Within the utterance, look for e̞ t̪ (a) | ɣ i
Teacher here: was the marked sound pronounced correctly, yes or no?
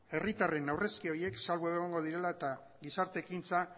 yes